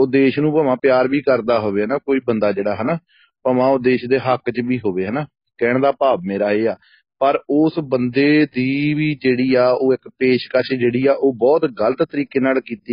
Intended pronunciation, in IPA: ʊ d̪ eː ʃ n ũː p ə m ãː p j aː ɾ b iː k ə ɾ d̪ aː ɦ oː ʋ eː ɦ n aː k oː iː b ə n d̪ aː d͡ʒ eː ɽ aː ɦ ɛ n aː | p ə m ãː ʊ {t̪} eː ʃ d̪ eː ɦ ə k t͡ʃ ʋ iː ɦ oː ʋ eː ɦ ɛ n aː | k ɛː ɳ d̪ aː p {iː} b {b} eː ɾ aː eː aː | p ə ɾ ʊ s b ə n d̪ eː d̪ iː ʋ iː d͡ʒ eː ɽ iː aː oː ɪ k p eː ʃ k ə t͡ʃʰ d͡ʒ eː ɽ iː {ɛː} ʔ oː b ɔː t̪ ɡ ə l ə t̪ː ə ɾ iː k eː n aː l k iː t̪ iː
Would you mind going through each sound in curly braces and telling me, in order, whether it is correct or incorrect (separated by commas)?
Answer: incorrect, incorrect, incorrect, incorrect